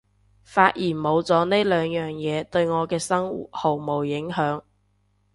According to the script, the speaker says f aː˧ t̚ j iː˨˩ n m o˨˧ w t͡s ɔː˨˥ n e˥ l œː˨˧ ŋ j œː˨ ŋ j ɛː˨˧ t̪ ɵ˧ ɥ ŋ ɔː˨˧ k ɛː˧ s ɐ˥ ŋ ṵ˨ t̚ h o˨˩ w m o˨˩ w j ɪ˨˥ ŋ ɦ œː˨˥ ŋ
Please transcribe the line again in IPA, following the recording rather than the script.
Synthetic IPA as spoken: f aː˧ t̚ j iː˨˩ n m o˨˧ w t͡s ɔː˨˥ n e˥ l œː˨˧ ŋ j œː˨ ŋ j ɛː˨˧ t̪ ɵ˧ ɥ ŋ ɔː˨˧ k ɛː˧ s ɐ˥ ŋ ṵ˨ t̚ h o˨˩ w m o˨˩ w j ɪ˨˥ ŋ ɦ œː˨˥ ŋ